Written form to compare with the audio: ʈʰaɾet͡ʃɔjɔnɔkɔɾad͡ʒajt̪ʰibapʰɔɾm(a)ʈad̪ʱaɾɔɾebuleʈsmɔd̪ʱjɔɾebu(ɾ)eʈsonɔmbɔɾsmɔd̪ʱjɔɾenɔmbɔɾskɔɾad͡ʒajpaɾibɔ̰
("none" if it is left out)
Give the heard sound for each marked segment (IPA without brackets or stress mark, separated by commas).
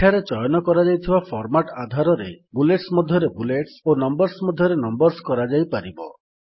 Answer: a, l